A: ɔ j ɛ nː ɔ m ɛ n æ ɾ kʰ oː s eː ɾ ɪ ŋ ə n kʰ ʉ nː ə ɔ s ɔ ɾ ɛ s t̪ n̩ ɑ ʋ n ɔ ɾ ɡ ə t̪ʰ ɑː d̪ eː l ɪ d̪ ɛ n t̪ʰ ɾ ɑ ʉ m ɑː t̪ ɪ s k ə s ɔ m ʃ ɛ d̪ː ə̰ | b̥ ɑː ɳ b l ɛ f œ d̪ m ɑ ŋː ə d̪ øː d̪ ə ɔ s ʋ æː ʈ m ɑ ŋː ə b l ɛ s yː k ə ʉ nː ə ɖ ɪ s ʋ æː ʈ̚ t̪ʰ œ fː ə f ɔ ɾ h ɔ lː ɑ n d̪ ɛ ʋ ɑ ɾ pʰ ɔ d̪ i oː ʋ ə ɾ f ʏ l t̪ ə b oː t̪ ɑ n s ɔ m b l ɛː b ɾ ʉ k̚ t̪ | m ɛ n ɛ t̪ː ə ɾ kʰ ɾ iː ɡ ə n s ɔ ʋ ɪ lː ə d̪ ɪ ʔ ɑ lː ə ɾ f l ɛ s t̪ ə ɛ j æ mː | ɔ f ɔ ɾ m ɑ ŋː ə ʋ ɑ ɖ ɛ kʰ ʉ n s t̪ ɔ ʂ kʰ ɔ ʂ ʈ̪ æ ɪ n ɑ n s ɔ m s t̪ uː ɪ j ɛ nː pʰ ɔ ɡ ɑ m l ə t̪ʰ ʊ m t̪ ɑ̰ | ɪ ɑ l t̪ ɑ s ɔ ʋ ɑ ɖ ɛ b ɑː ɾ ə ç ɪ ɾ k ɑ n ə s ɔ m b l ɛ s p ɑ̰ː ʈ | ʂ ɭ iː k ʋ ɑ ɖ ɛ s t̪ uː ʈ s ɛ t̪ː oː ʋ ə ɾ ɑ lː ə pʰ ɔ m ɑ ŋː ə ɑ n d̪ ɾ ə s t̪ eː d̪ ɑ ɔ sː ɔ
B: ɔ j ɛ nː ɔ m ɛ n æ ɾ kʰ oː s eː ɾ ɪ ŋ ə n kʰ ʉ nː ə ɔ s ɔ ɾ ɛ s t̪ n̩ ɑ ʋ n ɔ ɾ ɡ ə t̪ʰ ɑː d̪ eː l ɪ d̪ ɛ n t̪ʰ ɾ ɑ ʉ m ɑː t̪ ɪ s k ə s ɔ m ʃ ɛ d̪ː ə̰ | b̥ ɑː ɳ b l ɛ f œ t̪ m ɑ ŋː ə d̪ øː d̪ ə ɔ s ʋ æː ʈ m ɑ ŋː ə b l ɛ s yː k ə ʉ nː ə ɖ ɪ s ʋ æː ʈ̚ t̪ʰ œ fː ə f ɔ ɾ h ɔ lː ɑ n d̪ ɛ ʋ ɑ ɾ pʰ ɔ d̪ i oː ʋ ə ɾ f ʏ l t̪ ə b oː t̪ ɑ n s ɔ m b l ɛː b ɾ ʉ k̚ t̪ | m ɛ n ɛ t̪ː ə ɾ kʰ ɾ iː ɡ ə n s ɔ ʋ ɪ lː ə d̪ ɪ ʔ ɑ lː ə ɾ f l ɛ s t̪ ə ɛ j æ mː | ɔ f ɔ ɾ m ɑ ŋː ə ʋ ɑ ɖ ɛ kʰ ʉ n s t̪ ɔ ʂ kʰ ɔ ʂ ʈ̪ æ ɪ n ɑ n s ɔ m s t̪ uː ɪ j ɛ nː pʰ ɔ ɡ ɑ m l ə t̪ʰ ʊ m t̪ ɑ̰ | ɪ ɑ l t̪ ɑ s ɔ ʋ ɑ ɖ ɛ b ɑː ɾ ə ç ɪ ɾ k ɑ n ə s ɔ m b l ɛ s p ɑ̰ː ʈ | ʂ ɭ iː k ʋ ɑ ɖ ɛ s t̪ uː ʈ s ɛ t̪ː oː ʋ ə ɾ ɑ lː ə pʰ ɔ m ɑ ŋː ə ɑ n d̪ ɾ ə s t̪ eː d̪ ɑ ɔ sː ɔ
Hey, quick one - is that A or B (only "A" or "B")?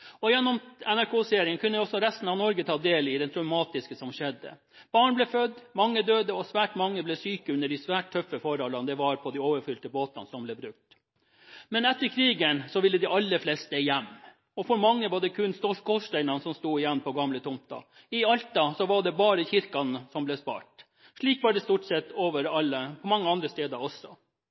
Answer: A